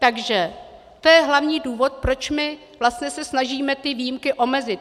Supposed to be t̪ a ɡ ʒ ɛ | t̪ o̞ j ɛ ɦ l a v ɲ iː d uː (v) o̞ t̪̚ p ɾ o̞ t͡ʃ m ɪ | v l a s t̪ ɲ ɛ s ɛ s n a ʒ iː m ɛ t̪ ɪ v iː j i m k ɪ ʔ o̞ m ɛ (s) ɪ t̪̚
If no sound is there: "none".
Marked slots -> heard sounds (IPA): v, z

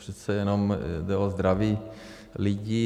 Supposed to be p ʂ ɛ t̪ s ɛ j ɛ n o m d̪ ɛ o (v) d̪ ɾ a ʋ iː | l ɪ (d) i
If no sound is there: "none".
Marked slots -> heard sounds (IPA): z, ɟ

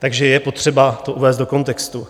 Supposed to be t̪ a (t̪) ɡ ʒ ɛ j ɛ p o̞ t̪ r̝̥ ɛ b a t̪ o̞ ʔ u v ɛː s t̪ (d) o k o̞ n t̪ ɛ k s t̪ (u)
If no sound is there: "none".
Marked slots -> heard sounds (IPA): none, d, u

